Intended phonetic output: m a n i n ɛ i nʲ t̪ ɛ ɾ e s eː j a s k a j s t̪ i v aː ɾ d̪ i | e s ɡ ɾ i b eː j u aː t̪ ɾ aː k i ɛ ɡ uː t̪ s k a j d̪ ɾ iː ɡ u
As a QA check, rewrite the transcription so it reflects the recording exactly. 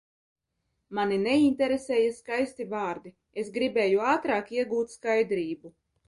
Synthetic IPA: m a n i n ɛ i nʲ t̪ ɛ ɾ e s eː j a s k a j s t̪ i v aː ɾ d̪ i | e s ɡ ɾ i b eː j u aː t̪ ɾ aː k i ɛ ɡ uː t̪ s k a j d̪ ɾ iː b u